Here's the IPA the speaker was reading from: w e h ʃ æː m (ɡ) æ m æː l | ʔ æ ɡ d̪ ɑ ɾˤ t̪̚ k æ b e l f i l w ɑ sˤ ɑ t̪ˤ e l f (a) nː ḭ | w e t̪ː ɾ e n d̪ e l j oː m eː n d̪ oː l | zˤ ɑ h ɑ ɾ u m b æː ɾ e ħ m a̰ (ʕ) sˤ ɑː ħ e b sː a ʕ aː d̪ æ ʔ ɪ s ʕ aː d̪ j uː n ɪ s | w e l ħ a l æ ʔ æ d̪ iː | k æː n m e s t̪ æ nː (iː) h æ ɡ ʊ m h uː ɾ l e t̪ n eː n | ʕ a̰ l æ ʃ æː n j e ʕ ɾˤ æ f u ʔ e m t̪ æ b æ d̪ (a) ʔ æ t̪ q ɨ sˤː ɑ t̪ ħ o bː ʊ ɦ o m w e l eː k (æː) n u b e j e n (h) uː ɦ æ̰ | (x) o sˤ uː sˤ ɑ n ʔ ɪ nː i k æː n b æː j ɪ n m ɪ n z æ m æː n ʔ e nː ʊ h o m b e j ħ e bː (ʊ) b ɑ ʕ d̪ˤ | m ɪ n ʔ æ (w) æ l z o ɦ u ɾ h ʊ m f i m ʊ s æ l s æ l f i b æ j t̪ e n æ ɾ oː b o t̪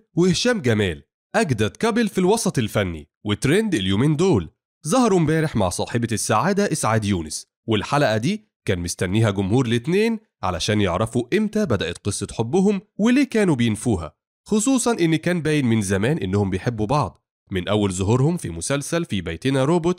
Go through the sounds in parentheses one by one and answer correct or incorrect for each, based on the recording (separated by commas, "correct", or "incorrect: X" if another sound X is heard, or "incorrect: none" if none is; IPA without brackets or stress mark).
correct, incorrect: æ, correct, correct, incorrect: æ, correct, incorrect: f, correct, incorrect: u, incorrect: wː